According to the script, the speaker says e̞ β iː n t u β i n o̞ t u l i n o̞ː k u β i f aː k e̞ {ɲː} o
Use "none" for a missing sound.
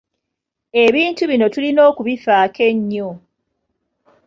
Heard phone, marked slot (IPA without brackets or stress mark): ɲː